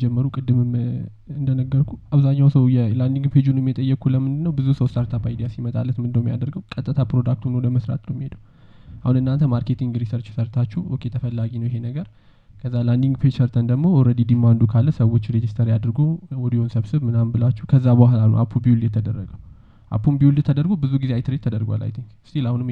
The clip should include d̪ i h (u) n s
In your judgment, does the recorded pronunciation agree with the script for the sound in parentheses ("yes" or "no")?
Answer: no